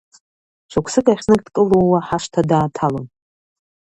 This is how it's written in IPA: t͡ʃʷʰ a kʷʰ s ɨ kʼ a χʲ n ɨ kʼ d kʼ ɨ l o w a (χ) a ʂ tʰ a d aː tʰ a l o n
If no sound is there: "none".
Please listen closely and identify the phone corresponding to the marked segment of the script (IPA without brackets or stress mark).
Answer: ħ